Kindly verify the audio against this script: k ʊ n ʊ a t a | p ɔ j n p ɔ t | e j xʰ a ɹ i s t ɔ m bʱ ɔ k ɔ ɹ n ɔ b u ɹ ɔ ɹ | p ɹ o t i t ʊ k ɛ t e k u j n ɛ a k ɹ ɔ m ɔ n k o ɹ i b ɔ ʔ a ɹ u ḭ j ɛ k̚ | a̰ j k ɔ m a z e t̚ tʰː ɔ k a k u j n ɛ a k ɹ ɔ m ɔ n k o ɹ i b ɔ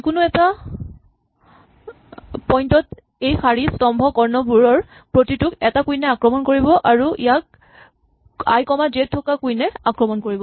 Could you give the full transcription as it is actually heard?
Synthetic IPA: k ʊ n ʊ ɛ t a | p ɔ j n t ɔ t | e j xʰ a ɹ i s t ɔ m bʱ ɔ k ɔ ɹ n ɔ b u ɹ ɔ ɹ | p ɹ o t i t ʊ k ɛ t a k u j n ɛ a k ɹ ɔ m ɔ n k o ɹ i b ɔ ʔ a ɹ u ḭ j a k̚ | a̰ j k ɔ m a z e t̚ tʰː ɔ k a k u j n ɛ a k ɹ ɔ m ɔ n k o ɹ i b ɔ

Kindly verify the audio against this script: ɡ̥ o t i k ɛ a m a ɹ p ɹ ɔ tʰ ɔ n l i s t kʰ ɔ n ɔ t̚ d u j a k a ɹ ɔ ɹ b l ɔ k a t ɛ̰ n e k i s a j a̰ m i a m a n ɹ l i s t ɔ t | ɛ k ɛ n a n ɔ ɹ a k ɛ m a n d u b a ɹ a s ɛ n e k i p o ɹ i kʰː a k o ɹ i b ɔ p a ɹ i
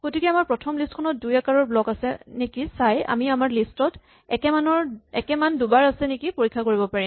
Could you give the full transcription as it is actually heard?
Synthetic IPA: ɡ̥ o t i k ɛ a m a ɹ p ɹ ɔ tʰ ɔ m l i s t kʰ ɔ n ɔ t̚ d u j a k a ɹ ɔ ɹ b l ɔ k a s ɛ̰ n e k i s a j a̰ m i a m a ɹ l i s t ɔ t | ɛ k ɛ m a n ɔ ɹ ɛ k ɛ m a n d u b a ɹ a s ɛ n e k i p o ɹ i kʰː a k o ɹ i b ɔ p a ɹ i

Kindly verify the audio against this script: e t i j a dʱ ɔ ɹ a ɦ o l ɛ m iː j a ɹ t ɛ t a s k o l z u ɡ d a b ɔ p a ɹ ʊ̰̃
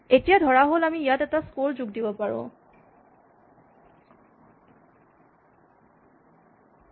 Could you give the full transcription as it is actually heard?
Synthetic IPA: e t i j a dʱ ɔ ɹ a ɦ o l a m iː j a t ɛ t a s k o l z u ɡ d i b ɔ p a ɹ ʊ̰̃

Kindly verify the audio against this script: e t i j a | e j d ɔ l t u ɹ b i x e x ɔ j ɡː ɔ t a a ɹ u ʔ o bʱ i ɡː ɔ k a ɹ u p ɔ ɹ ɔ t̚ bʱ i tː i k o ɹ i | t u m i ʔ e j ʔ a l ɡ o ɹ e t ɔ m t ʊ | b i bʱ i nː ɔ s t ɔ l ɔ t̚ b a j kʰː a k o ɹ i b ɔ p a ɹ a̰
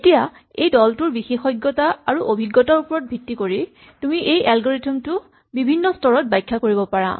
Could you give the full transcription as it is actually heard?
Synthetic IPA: e t i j a | e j d ɔ l t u ɹ b i x e x ɔ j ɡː ɔ t a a ɹ u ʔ o bʱ i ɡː ɔ t a ɹ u p ɔ ɹ ɔ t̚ bʱ i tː i k o ɹ i | t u m i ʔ e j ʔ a l ɡ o ɹ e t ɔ m t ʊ | b i bʱ i nː ɔ s t ɔ ɹ ɔ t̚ b a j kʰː a k o ɹ i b ɔ p a ɹ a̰

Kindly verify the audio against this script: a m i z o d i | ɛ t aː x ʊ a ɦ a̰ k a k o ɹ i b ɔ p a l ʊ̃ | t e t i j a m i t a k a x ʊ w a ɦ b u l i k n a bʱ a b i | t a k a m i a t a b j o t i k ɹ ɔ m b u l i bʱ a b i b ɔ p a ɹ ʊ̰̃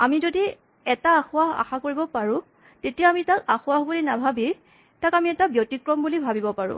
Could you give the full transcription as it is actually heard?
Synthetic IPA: a m i z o d i | ɛ t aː x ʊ a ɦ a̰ x a k o ɹ i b ɔ p a ɹ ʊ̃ | t e t i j a m i t a k a x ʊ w a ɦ b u l i n a bʱ a b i | t a k a m i ɛ t a b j o t i k ɹ ɔ m b u l i bʱ a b i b ɔ p a ɹ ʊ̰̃

